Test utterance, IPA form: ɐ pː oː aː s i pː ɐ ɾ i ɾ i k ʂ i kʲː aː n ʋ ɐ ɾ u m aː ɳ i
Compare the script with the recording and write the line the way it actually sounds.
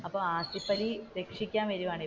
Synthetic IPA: ɐ pː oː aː s i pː ɐ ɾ i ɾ e k ʂ i kʲː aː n ʋ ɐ ɾ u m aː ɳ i